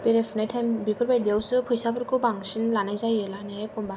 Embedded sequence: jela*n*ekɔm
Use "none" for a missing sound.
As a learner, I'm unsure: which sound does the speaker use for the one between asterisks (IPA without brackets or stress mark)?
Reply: n